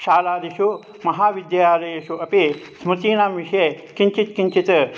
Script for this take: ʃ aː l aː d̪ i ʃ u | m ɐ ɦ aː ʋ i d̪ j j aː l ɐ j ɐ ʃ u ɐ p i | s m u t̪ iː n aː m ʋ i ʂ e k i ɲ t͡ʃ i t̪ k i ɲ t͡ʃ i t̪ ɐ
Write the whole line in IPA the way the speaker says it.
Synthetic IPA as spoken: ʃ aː l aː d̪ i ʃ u | m ɐ ɦ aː ʋ i d̪ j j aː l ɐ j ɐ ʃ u ɐ p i | s m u t̪ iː n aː m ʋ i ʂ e k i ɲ t͡ʃ i t̪ k i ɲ t͡ʃ i t̪ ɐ